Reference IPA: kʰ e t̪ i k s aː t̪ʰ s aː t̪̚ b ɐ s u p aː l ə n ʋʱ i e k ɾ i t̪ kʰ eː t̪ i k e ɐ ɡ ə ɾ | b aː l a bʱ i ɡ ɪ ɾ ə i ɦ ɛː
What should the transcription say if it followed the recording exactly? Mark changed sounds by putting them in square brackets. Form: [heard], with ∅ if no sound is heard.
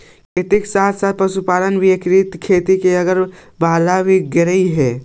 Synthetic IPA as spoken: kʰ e t̪ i k s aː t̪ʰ s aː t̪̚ [p] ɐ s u p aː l ə n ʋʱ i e k ɾ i t̪ kʰ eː t̪ i k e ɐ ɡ ə ɾ | b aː l a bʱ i ɡ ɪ ɾ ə i ɦ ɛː